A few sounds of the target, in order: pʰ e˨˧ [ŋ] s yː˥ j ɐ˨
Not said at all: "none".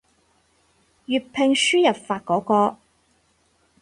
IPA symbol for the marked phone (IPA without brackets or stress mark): ŋ